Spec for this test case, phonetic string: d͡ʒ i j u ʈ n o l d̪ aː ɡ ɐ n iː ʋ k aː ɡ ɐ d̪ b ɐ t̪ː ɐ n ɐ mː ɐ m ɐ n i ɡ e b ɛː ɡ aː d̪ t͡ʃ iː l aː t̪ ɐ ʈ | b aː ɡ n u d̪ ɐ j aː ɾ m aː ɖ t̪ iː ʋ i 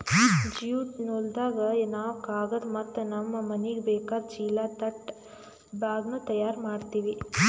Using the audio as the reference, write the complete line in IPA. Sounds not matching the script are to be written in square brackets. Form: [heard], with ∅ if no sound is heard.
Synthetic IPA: d͡ʒ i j u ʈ n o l d̪ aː ɡ ɐ n [aː] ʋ k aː ɡ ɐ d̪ [m] ɐ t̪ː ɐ n ɐ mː ɐ m ɐ n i ɡ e b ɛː [k] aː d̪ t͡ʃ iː l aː t̪ ɐ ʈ | b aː ɡ n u [t̪] ɐ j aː ɾ m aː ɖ t̪ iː ʋ i